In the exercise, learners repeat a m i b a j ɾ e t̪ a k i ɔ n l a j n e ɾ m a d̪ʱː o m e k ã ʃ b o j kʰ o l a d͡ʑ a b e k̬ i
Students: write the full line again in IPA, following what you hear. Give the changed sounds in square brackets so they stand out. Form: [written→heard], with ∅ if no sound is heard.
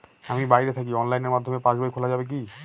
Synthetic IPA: a m i b a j ɾ e [t̪→t̪ʰ] a k i ɔ n l a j n e ɾ m a d̪ʱː o m e [k→p] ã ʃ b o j kʰ o l a d͡ʑ a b e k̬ i